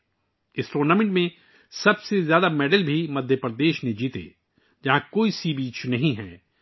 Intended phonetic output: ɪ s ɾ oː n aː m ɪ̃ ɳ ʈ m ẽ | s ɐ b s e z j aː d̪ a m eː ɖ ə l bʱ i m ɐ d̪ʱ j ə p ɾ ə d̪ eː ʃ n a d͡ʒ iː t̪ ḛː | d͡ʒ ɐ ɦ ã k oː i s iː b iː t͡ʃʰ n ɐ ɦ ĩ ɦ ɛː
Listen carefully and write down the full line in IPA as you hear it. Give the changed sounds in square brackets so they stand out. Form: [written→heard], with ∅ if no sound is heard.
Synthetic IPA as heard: ɪ s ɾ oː n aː m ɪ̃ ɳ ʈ m ẽ | s ɐ b s e z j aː d̪ a m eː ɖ ə l bʱ i m ɐ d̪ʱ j ə p ɾ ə d̪ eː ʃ n [a→e] d͡ʒ iː t̪ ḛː | d͡ʒ ɐ ɦ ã k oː i s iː b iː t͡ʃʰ n ɐ ɦ ĩ ɦ ɛː